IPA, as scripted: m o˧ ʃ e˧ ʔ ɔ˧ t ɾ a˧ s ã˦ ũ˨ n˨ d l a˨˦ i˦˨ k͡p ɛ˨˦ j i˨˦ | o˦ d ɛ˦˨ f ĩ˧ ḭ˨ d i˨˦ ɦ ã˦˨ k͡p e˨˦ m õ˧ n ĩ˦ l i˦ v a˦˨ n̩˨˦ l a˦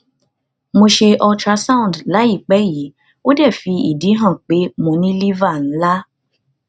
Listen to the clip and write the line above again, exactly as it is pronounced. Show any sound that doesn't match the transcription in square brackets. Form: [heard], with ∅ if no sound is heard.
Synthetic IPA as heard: m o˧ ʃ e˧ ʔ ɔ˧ t ɾ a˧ s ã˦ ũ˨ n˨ d l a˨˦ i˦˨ k͡p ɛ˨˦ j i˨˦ | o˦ d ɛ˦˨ f [i˧] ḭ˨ d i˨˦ ɦ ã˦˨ k͡p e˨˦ m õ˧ n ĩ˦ l i˦ v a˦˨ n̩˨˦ l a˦